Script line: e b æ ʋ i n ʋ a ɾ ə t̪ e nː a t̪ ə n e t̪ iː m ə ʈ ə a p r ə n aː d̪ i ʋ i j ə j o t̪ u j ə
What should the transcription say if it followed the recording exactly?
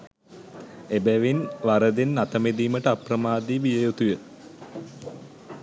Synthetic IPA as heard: e b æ ʋ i n ʋ a ɾ ə d̪ e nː a t̪ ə m e d̪ iː m ə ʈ ə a p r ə m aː d̪ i ʋ i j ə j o t̪ u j ə